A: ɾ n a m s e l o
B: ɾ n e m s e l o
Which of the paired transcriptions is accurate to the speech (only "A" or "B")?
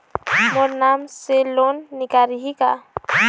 A